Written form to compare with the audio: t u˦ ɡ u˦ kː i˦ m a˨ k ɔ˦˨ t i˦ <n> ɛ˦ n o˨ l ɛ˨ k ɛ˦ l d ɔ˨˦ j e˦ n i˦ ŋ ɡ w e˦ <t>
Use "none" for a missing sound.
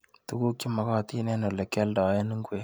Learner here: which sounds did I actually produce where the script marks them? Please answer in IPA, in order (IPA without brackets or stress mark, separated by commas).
n, none